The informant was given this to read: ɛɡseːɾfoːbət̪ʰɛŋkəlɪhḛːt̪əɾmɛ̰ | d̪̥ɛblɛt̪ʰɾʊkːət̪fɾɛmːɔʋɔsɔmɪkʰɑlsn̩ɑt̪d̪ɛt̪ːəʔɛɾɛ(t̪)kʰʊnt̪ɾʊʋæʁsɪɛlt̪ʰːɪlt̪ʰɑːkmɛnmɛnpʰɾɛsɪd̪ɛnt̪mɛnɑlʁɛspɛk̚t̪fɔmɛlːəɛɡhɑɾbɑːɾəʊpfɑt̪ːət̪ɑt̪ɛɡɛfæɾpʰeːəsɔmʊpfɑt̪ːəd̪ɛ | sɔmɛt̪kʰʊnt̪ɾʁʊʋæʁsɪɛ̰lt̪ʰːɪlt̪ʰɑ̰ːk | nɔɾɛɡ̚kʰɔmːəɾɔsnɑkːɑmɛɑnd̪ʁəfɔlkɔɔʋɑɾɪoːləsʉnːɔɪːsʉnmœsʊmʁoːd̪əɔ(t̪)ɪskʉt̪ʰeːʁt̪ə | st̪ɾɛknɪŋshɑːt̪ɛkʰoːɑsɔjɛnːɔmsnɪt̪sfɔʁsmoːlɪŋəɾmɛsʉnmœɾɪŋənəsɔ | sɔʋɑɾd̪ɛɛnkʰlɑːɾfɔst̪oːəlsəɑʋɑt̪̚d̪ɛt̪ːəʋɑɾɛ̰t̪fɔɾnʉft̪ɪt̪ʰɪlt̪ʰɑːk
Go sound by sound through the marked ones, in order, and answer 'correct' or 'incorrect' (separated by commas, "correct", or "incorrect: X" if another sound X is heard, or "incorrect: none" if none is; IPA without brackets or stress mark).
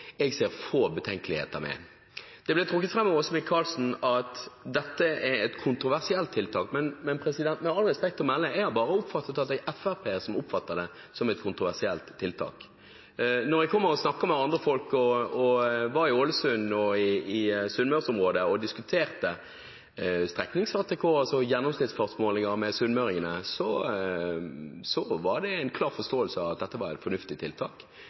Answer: correct, incorrect: d̪